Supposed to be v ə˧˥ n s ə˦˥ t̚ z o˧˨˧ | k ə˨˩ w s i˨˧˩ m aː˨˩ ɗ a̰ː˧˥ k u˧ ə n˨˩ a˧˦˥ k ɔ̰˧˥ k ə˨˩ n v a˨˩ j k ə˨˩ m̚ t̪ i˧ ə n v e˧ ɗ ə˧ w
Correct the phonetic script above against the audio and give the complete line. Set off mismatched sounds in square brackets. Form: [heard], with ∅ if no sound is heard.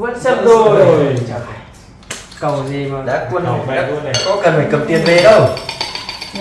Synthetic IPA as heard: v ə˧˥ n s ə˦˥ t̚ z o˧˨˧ | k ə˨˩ w [z] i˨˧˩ m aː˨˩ ɗ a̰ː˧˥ k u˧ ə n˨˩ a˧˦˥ k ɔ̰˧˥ k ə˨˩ n [f] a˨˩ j k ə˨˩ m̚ t̪ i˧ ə n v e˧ ɗ ə˧ w